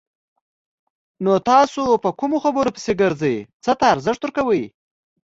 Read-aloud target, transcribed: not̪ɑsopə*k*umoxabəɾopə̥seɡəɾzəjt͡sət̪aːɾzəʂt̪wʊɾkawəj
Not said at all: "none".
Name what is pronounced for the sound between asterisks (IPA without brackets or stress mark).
k